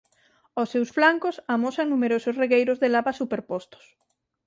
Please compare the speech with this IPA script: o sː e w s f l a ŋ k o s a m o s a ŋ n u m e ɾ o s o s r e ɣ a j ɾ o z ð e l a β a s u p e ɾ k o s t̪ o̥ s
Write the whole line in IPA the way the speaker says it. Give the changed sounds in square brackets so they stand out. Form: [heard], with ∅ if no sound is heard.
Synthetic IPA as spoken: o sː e w s f l a ŋ k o s a m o s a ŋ n u m e ɾ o s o s r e ɣ [e] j ɾ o z ð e l a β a s u p e ɾ [p] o s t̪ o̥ s